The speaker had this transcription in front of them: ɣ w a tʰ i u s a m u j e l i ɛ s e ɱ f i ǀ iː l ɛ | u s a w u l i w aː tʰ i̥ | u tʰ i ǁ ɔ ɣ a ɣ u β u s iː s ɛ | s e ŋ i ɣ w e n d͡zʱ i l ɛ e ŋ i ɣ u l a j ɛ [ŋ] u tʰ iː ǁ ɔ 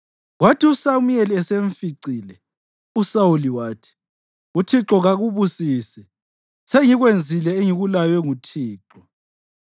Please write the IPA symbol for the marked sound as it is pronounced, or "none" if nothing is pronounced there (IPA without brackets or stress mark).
ŋ